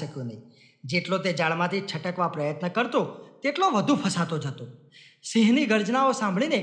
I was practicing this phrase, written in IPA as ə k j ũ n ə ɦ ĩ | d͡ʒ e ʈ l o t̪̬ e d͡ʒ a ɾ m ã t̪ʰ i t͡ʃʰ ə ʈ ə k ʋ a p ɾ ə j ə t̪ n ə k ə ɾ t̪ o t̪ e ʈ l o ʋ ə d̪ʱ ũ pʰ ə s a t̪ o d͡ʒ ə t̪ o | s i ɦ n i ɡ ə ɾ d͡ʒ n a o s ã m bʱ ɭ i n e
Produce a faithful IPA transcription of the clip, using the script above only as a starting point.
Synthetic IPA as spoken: ə k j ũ n ə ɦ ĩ | d͡ʒ e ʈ l o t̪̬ e d͡ʒ a ɭ m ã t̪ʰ i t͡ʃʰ ə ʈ ə k ʋ a p ɾ ə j ə t̪ n ə k ə ɾ t̪ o t̪ e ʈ l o ʋ ə d̪ʱ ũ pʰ ə s a t̪ o d͡ʒ ə t̪ o | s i ɦ n i ɡ ə ɾ d͡ʒ n a o s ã m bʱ ɭ i n e